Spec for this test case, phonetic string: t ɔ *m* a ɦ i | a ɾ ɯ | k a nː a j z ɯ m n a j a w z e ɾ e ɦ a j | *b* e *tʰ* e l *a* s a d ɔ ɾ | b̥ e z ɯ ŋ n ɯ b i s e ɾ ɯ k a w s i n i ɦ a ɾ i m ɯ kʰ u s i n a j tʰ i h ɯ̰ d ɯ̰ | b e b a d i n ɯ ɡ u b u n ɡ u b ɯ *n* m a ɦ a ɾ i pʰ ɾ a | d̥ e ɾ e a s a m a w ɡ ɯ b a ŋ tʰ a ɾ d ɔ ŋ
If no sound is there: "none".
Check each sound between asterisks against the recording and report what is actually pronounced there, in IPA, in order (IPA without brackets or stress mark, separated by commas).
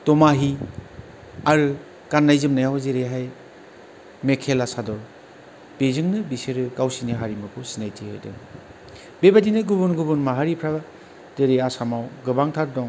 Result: m, m, kʰ, a, n